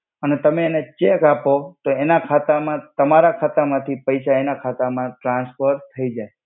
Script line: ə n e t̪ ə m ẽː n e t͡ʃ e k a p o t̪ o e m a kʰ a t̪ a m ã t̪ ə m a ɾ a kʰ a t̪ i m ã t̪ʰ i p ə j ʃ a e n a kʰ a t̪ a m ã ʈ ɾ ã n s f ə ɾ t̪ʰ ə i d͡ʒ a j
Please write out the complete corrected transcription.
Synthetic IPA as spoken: ə n e t̪ ə m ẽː n e t͡ʃ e k a p o t̪ o e n a kʰ a t̪ a m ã t̪ ə m a ɾ a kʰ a t̪ a m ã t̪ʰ i p ə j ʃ a e n a kʰ a t̪ a m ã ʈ ɾ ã n s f ə ɾ t̪ʰ ə i d͡ʒ a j